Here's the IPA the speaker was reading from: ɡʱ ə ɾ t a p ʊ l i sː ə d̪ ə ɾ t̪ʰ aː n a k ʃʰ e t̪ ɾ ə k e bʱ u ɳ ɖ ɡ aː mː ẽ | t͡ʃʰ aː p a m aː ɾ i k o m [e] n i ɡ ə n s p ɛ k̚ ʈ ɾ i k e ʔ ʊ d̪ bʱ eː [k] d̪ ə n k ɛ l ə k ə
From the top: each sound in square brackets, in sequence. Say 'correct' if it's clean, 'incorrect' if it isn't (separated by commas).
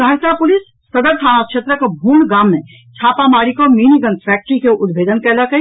incorrect, incorrect